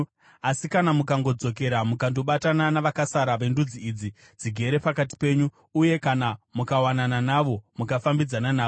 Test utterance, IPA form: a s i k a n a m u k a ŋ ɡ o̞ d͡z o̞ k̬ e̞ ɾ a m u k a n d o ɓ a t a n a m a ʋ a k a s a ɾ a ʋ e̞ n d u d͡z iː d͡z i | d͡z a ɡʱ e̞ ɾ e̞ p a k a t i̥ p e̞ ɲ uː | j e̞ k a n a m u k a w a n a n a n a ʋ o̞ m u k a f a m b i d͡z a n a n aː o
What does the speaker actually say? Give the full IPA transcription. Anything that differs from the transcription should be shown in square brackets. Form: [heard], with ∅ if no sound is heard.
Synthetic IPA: a s i k a n a m u k a ŋ ɡ o̞ d͡z o̞ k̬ e̞ ɾ a m u k a n d o ɓ a t a n a [n] a ʋ a k a s a ɾ a ʋ e̞ n d u d͡z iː d͡z i | d͡z [i] ɡʱ e̞ ɾ e̞ p a k a t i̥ p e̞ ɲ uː | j e̞ k a n a m u k a w a n a n a n a ʋ o̞ m u k a f a m b i d͡z a n a n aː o